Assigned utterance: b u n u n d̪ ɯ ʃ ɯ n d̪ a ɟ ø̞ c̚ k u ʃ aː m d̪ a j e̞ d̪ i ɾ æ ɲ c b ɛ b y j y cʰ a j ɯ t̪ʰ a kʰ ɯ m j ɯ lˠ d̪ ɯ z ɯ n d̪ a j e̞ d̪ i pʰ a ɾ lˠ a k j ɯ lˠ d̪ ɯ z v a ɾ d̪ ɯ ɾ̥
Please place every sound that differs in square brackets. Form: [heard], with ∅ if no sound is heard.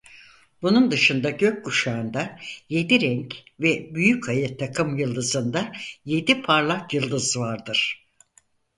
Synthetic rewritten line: b u n u n d̪ ɯ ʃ ɯ n d̪ a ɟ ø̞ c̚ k u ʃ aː [n] d̪ a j e̞ d̪ i ɾ [ɛ] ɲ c [v] ɛ b y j y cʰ a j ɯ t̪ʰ a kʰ ɯ m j ɯ lˠ d̪ ɯ z ɯ n d̪ a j e̞ d̪ i pʰ a ɾ lˠ a k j ɯ lˠ d̪ ɯ z v a ɾ d̪ ɯ ɾ̥